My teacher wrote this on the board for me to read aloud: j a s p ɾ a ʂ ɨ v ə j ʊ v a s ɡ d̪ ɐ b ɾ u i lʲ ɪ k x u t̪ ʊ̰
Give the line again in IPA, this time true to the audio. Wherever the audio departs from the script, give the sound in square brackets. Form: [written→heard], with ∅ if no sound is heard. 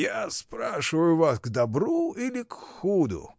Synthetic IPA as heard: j a s p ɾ a ʂ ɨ v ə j ʊ v a s ɡ d̪ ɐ b ɾ u i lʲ ɪ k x u [t̪→d̪] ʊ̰